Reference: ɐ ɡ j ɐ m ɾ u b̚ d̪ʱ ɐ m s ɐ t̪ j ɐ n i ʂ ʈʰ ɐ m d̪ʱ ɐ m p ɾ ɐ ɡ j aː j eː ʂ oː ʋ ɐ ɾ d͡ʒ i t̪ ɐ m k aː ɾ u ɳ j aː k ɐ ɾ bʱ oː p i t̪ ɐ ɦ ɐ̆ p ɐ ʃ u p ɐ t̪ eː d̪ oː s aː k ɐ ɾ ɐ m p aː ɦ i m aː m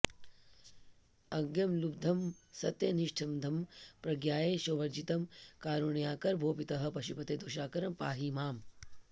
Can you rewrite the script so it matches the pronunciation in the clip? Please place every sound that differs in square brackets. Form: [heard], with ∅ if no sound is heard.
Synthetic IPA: ɐ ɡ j ɐ m [l] u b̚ d̪ʱ ɐ m s ɐ t̪ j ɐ n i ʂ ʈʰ ɐ m d̪ʱ ɐ m p ɾ ɐ ɡ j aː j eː [ʃ] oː ʋ ɐ ɾ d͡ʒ i t̪ ɐ m k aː ɾ u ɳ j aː k ɐ ɾ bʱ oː p i t̪ ɐ ɦ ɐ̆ p ɐ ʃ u p ɐ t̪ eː d̪ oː [ʃ] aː k ɐ ɾ ɐ m p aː ɦ i m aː m

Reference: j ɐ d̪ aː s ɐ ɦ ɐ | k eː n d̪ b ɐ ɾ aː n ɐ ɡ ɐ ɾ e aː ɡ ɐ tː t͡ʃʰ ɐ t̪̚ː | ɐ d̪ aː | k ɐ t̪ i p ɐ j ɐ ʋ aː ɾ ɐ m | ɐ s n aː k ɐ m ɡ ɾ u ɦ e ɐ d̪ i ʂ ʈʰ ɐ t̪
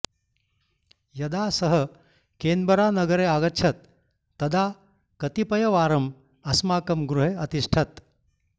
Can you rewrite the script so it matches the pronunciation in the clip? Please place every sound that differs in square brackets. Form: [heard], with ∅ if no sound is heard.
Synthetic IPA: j ɐ d̪ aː s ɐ ɦ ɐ | k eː n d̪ b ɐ ɾ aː n ɐ ɡ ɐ ɾ e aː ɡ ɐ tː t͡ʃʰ ɐ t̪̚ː | ɐ d̪ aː | k ɐ t̪ i p ɐ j ɐ ʋ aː ɾ ɐ m | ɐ s [m] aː k ɐ m ɡ ɾ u ɦ e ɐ [t̪] i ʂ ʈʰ ɐ t̪

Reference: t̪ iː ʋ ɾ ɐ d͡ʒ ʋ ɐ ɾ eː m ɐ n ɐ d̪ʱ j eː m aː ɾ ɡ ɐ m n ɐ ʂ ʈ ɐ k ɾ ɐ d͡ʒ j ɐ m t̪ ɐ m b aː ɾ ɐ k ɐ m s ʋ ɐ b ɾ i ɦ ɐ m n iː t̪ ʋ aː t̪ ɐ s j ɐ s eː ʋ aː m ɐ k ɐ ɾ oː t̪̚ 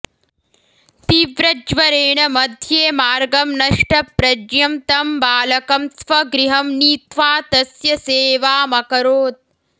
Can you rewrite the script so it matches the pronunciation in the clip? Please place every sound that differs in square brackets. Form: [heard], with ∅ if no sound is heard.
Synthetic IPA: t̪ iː ʋ ɾ ɐ d͡ʒ ʋ ɐ ɾ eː [ɳ] ɐ [m] ɐ d̪ʱ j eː m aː ɾ ɡ ɐ m n ɐ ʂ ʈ ɐ [p] ɾ ɐ d͡ʒ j ɐ m t̪ ɐ m b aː [l] ɐ k ɐ m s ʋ ɐ [ɡ] ɾ i ɦ ɐ m n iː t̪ ʋ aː t̪ ɐ s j ɐ s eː ʋ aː m ɐ k ɐ ɾ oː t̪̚

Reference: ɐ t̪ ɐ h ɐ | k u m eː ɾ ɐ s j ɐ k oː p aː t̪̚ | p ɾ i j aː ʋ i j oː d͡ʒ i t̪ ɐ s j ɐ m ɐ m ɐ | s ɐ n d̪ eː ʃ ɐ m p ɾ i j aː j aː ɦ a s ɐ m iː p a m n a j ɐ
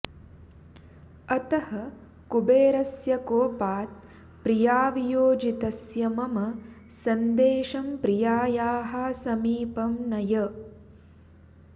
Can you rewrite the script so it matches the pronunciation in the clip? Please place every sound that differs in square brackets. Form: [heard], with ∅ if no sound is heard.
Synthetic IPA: ɐ t̪ ɐ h ɐ | k u [b] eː ɾ ɐ s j ɐ k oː p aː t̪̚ | p ɾ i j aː ʋ i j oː d͡ʒ i t̪ ɐ s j ɐ m ɐ m ɐ | s ɐ n d̪ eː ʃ ɐ m p ɾ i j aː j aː ɦ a s ɐ m iː p [ɐ] m n [ɐ] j ɐ

